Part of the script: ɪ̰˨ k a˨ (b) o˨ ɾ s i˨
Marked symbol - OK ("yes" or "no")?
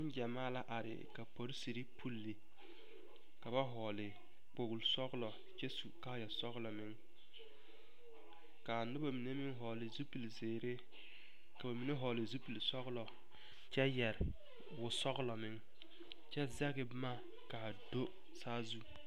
no